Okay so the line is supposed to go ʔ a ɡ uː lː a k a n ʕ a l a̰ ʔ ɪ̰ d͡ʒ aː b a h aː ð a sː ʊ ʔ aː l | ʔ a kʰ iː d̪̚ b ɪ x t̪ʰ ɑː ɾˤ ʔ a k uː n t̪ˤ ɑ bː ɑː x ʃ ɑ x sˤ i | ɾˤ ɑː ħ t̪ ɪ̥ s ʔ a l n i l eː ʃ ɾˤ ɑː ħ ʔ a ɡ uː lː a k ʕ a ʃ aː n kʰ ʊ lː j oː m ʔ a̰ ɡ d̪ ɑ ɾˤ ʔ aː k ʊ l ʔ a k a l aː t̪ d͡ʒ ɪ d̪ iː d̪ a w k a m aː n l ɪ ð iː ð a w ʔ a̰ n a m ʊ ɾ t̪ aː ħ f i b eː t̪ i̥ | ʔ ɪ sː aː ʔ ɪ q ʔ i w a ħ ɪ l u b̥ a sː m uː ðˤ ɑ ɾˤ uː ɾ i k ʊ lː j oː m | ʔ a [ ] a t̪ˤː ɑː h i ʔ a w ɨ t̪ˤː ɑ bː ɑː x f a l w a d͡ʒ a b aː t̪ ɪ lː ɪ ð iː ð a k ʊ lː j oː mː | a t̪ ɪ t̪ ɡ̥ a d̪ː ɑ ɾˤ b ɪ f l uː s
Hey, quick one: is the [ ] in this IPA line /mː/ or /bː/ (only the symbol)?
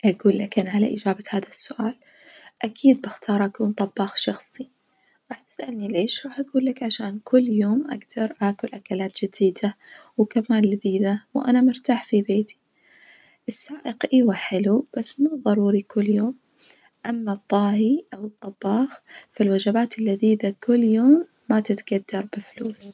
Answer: mː